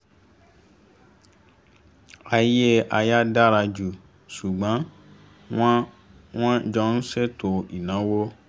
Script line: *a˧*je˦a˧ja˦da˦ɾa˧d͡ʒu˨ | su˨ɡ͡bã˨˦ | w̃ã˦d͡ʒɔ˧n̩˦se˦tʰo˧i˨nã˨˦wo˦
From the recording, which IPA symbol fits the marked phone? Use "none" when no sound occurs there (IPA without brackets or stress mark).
a˧